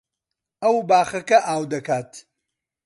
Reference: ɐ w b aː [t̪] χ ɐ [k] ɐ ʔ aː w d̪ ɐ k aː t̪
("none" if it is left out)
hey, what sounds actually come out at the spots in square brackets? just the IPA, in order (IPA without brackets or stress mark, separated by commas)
none, k